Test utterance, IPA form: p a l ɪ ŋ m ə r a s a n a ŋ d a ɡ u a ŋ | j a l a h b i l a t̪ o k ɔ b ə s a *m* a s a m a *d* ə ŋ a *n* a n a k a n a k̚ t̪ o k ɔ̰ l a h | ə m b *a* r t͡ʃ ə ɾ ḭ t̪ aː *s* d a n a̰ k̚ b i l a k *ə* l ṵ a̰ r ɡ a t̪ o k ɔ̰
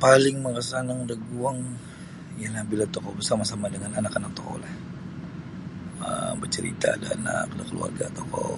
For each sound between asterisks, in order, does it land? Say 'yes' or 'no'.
yes, yes, yes, no, no, yes

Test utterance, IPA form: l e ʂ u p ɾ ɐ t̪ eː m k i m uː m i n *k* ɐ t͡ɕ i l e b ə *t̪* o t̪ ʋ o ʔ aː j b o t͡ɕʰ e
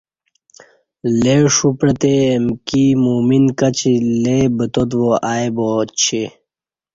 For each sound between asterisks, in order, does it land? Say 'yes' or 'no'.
yes, yes

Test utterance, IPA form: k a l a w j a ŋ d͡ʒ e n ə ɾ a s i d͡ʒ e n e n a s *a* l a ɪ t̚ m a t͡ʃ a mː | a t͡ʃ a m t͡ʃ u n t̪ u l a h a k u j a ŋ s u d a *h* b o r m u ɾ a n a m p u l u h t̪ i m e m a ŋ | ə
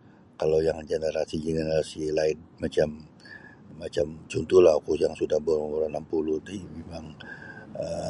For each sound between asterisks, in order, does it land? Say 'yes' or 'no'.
no, yes

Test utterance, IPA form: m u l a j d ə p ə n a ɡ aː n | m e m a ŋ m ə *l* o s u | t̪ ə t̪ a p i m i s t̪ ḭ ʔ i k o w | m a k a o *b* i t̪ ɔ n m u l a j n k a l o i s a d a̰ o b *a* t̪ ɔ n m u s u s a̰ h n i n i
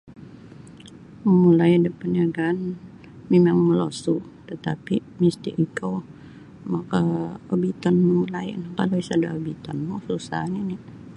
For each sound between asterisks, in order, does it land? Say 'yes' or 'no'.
yes, yes, no

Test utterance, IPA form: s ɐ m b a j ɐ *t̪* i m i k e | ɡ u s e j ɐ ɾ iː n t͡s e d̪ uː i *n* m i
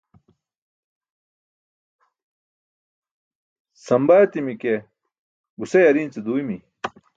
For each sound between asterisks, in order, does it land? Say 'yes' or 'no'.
yes, no

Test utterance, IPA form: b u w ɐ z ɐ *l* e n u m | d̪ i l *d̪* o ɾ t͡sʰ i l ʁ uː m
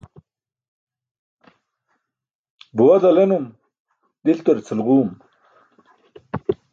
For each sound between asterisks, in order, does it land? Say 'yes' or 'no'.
yes, no

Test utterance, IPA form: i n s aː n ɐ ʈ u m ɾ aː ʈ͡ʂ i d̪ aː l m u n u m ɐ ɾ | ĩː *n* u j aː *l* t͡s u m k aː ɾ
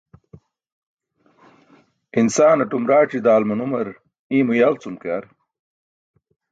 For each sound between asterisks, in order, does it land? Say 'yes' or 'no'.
no, yes

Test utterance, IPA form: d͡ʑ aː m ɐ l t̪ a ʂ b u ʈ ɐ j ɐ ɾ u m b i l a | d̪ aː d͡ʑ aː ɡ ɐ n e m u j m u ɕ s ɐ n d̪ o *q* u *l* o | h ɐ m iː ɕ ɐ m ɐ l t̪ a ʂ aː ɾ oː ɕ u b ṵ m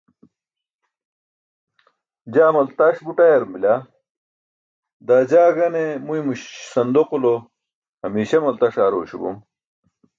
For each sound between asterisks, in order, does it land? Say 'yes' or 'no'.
yes, yes

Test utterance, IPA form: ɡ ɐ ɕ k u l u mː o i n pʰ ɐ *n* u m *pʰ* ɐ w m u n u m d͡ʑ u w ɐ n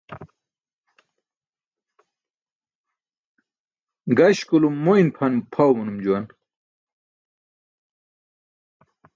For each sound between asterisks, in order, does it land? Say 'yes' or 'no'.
yes, yes

